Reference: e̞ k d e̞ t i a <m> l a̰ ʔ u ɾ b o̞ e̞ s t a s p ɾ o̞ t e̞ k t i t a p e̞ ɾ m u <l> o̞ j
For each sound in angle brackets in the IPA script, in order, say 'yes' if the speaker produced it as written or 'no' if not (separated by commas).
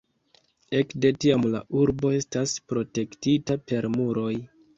yes, no